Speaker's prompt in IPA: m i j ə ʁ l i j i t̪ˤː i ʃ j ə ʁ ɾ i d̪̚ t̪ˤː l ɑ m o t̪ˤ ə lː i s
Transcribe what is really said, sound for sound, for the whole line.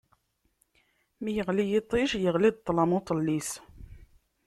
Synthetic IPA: m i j ə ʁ l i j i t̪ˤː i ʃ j ə ʁ l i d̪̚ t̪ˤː l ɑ m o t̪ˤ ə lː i s